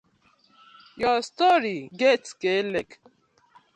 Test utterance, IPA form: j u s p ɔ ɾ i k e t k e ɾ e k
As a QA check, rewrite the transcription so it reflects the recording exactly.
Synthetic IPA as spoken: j ɔ s t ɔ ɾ i ɡ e t k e l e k

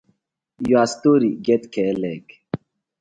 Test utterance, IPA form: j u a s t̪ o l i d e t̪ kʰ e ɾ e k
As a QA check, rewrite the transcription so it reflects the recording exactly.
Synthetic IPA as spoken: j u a s t̪ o ɾ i ɡ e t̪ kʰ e l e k

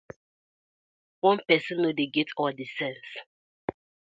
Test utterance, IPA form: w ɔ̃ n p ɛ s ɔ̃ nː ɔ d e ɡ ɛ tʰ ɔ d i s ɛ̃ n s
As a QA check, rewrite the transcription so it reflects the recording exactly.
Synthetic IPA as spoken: w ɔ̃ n p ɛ s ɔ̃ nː o d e ɡ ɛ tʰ ɔ d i s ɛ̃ n s

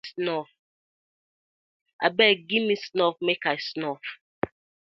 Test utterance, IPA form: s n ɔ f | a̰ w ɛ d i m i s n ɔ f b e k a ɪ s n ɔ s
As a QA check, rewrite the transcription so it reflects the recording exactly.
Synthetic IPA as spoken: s n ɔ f | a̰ b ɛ ɡ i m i s n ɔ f m e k a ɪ s n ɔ f

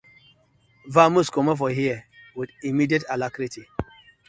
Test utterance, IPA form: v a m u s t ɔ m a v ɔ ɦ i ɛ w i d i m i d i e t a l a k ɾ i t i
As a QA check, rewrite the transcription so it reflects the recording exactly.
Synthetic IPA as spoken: v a m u s k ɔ m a f ɔ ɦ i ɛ w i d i m i d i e t a l a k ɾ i t i

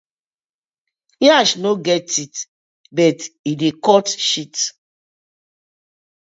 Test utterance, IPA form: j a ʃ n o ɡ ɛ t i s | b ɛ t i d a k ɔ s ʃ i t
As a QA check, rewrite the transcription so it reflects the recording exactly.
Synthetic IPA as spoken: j a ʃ n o ɡ ɛ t i t | b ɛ t i d e k ɔ t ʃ i t

